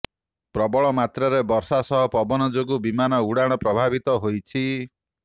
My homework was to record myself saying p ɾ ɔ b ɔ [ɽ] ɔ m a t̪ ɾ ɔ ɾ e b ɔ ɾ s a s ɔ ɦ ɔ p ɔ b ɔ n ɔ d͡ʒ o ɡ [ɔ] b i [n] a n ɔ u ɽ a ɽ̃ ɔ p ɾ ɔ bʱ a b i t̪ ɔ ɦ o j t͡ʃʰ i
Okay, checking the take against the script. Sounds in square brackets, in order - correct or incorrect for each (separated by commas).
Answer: incorrect, incorrect, incorrect